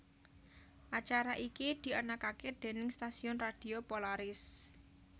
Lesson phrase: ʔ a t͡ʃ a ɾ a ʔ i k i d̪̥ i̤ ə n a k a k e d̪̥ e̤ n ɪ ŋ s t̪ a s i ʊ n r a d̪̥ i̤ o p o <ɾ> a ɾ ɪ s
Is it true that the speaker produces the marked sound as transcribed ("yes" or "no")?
no